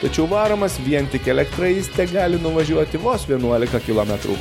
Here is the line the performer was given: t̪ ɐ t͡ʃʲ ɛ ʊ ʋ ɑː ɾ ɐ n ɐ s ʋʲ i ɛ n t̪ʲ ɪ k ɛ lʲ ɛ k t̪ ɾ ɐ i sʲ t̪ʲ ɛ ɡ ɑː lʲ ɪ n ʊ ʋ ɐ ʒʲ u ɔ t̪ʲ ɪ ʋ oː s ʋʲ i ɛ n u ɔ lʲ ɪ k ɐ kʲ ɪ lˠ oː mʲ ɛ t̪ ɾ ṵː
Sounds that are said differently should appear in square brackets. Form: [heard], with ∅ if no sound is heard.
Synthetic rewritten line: t̪ ɐ t͡ʃʲ ɛ ʊ ʋ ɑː ɾ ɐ [m] ɐ s ʋʲ i ɛ n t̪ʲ ɪ k ɛ lʲ ɛ k t̪ ɾ ɐ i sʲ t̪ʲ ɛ ɡ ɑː lʲ ɪ n ʊ ʋ ɐ ʒʲ u ɔ t̪ʲ ɪ ʋ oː s ʋʲ i ɛ n u ɔ lʲ ɪ k ɐ kʲ ɪ lˠ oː mʲ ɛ t̪ ɾ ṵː